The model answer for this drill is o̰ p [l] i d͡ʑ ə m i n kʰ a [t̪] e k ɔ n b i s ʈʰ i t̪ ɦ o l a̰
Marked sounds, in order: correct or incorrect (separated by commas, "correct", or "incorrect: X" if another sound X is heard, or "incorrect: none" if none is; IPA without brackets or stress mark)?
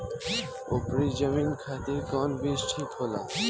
incorrect: ɾ, correct